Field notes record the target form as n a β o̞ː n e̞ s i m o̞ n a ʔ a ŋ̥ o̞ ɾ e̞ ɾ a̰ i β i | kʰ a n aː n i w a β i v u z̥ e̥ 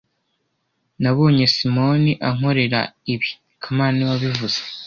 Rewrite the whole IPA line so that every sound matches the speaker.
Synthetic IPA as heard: n a β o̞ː ɲ e̞ s i m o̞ n i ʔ a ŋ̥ o̞ ɾ e̞ ɾ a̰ i β i | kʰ a m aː n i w a β i v u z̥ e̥

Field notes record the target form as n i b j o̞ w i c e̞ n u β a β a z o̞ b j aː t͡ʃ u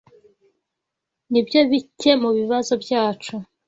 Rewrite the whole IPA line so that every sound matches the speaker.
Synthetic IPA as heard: n i b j o̞ β i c e̞ m u β i β a z o̞ b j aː t͡ʃ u

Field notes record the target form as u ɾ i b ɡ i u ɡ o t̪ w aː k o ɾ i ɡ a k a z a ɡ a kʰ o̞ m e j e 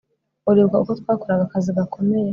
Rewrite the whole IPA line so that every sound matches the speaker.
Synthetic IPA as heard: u ɾ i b ɡ a u k o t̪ w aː k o ɾ a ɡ a k a z i ɡ a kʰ o̞ m e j e

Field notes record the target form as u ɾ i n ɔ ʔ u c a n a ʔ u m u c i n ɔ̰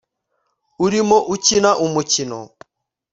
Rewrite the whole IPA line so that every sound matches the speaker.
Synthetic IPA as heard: u ɾ i m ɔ ʔ u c i n a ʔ u m u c i n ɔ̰

